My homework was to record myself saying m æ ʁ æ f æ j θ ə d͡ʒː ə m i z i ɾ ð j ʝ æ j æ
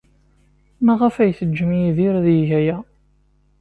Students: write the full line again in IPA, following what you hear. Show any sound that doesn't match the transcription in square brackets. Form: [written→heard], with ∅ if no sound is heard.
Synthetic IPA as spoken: m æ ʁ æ f æ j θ ə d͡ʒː ə m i [z→ð] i ɾ ð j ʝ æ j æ